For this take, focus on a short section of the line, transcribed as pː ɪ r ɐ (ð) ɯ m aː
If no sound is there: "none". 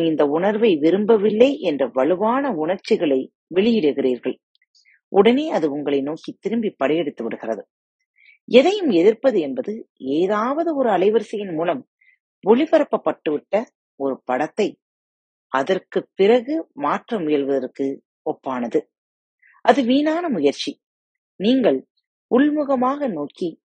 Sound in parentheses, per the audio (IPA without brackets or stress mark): ɣ